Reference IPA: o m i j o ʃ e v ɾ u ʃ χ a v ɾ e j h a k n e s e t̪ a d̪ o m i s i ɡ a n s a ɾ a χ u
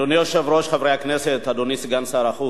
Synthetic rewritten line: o n i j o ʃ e v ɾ o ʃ χ a v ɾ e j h a k n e s e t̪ a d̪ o n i s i ɡ a n s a ɾ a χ u